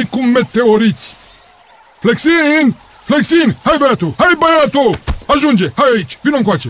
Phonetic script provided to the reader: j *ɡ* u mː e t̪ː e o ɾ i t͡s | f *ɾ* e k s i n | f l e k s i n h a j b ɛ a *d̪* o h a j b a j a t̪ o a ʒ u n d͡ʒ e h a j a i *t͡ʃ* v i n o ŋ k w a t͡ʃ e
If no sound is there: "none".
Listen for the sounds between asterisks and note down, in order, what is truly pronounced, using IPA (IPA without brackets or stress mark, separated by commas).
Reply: k, l, t̪, t͡ʃ